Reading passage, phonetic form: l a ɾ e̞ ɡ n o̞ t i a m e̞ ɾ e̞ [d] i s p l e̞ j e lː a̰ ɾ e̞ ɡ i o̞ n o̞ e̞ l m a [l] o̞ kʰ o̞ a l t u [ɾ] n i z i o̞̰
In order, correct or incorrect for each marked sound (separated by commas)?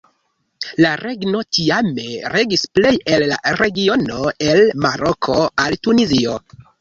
incorrect, incorrect, incorrect